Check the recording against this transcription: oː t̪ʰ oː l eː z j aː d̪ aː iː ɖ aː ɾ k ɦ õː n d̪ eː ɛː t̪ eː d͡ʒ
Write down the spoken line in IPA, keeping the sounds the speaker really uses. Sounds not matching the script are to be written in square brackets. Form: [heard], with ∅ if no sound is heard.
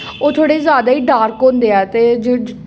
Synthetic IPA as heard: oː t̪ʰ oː [ɽ] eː z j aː d̪ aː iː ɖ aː ɾ k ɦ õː n d̪ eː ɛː t̪ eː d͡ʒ